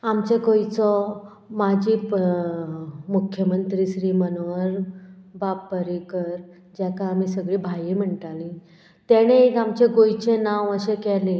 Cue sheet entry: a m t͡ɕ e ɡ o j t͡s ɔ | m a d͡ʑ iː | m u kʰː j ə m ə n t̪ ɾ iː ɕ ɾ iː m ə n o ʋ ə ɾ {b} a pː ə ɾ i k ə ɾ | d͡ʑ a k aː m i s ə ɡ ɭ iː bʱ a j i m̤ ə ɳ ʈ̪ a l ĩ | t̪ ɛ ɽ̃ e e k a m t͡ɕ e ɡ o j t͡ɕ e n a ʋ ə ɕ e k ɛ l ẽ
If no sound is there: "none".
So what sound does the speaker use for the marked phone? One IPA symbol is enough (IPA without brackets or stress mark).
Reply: b